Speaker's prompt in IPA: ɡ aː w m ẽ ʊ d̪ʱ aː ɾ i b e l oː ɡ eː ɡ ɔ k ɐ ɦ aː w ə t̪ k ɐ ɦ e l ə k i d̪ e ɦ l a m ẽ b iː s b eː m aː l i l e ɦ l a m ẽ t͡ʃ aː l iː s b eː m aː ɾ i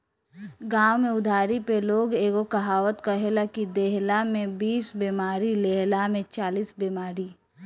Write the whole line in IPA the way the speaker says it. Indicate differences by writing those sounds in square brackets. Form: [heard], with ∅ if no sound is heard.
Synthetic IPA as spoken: ɡ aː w m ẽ ʊ d̪ʱ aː ɾ i [p] e l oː ɡ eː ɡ [o] k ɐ ɦ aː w ə t̪ k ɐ ɦ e l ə k i d̪ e ɦ l a m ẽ b iː s b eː m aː [ɾ] i l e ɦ l a m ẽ t͡ʃ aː l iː s b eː m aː ɾ i